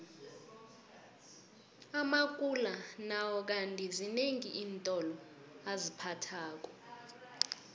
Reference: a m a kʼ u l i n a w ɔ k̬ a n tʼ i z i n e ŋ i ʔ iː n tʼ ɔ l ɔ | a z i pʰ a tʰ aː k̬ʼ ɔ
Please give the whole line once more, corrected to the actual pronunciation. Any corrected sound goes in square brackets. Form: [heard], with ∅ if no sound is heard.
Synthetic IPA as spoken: a m a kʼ u l [a] n a w ɔ k̬ a n tʼ i z i n e ŋ i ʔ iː n tʼ ɔ l ɔ | a z i pʰ a tʰ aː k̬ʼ ɔ